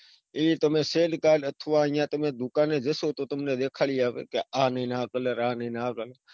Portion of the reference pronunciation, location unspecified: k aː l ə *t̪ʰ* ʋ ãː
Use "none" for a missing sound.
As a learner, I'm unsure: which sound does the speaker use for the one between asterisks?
t̪ʰ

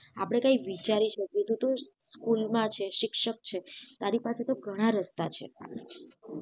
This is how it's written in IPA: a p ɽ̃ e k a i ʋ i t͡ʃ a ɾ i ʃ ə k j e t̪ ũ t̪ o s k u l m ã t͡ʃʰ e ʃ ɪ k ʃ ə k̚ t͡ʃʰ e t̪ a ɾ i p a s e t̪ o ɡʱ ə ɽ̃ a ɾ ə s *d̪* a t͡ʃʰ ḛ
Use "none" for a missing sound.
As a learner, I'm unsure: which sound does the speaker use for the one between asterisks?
t̪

